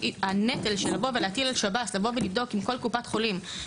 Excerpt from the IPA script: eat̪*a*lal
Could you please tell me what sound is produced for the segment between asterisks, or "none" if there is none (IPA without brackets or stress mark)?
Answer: i